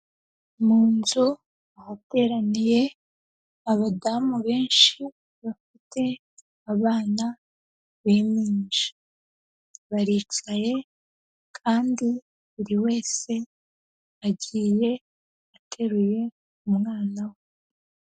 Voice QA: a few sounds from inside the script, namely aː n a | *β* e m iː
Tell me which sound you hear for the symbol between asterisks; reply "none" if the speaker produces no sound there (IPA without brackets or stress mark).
β